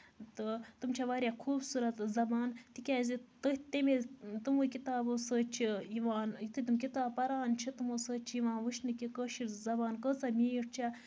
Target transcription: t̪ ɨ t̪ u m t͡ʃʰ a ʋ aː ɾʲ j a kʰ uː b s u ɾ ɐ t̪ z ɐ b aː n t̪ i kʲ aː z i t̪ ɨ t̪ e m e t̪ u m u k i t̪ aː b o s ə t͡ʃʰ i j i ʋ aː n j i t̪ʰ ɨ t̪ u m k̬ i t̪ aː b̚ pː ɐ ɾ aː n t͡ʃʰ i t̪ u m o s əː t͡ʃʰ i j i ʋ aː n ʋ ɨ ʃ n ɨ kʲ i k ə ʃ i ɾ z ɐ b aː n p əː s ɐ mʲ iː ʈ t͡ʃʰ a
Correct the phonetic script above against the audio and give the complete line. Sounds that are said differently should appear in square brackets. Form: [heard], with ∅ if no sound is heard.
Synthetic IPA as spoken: t̪ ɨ t̪ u m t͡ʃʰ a ʋ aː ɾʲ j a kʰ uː b s u ɾ ɐ t̪ z ɐ b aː n t̪ i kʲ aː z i t̪ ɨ t̪ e m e t̪ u m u k i t̪ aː b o s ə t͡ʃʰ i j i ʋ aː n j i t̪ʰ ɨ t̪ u m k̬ i t̪ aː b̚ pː ɐ ɾ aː n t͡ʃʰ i t̪ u m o s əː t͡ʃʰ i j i ʋ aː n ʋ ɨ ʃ n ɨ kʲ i k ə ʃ i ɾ z ɐ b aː n [k] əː [t͡s] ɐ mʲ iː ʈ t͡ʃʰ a